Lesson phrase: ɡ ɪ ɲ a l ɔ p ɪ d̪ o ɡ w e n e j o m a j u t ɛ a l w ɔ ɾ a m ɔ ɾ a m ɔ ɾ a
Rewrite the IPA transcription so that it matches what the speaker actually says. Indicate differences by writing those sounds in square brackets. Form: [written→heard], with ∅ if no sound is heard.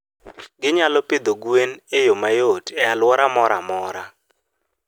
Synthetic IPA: ɡ ɪ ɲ a l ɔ p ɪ d̪ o ɡ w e n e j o m a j [u→o] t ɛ a l w ɔ ɾ a m ɔ ɾ a m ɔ ɾ a